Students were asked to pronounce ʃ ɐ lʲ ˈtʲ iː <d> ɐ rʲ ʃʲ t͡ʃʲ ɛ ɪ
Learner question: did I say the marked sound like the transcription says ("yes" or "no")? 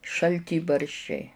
no